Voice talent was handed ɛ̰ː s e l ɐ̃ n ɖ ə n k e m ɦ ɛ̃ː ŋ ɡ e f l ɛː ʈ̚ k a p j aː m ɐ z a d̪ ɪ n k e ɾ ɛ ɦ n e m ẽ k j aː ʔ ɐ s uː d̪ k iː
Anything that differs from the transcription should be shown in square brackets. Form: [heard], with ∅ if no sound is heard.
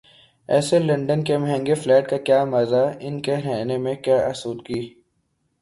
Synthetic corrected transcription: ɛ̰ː s e l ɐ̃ [ɳ] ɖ ə n k e m ɦ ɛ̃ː ŋ ɡ e f l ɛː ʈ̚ k a [k] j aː m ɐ z a [∅] ɪ n k e ɾ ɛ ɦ n e m ẽ k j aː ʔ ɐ s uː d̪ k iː